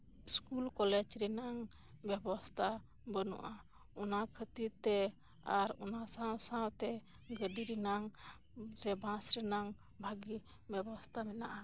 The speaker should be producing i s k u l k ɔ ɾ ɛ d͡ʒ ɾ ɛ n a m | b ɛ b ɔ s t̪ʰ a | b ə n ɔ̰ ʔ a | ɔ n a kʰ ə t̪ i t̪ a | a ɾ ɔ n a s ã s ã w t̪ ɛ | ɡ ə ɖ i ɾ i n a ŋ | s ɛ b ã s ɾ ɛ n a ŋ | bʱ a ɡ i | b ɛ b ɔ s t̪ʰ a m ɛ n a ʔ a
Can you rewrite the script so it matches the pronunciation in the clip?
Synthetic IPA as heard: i s k u l k ɔ l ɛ d͡ʒ ɾ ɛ n a ŋ | b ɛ b ɔ s t̪ʰ a | b ə n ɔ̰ ʔ a | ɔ n a kʰ ə t̪ i t̪ ɛ | a ɾ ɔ n a s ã s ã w t̪ ɛ | ɡ ə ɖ i ɾ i n a ŋ | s ɛ b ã s ɾ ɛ n a ŋ | bʱ a ɡ i | b ɛ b ɔ s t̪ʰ a m ɛ n a ʔ a